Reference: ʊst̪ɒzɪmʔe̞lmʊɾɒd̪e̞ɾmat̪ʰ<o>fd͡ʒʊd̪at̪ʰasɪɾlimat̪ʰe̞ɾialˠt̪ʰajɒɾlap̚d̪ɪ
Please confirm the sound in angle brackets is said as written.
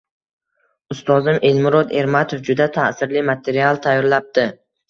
yes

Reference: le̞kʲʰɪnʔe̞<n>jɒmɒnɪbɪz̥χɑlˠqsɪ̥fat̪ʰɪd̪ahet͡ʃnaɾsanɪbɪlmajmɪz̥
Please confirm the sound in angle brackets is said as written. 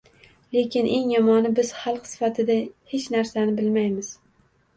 no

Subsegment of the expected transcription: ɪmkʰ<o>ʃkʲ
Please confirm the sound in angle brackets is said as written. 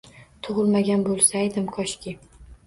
no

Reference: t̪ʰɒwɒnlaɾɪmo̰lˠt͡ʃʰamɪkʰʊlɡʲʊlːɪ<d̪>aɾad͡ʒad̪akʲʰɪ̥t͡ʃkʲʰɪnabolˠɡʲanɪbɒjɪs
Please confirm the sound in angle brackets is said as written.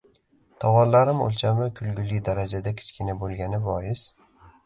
yes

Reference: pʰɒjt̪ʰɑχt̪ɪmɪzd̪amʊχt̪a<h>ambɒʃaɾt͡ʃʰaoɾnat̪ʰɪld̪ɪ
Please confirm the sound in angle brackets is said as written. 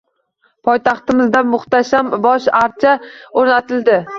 no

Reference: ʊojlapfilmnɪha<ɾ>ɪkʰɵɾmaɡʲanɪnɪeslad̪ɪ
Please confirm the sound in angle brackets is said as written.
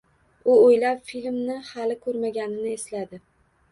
no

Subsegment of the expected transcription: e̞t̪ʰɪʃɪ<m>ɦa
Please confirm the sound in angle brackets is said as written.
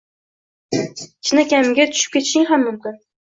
no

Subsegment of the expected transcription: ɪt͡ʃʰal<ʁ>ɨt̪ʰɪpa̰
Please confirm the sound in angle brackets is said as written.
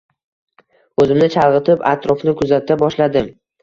yes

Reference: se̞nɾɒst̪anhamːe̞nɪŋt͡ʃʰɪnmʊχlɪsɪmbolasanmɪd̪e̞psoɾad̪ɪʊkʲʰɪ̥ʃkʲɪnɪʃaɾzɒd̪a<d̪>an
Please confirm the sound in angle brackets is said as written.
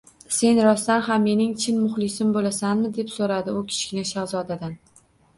yes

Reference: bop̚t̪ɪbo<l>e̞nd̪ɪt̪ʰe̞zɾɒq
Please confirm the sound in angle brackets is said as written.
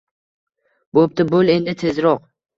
yes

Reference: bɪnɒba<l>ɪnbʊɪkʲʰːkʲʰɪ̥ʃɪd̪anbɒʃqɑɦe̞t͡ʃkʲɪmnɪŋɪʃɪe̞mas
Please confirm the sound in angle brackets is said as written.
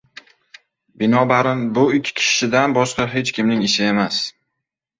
no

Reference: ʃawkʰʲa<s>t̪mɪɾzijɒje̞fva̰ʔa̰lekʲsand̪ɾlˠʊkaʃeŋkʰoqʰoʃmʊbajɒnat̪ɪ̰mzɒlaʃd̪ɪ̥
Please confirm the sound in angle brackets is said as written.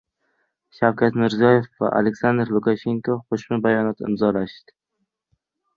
no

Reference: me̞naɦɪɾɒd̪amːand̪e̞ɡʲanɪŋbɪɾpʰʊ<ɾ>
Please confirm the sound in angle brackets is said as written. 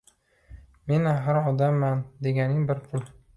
no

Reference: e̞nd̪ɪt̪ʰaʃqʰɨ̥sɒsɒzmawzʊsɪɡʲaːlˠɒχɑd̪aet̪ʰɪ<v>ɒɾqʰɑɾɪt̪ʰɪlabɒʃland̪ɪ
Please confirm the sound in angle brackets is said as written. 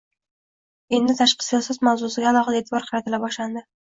no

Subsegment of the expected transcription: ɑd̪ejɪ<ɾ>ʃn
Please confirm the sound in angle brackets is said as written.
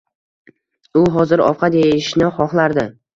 no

